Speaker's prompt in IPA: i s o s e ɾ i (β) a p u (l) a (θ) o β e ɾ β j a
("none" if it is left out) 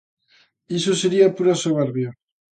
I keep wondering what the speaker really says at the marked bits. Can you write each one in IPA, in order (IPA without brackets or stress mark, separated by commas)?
none, ɾ, s